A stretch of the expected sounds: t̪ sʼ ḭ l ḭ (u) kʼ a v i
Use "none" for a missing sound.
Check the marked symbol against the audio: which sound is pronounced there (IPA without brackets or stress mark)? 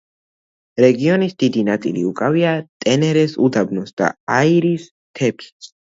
u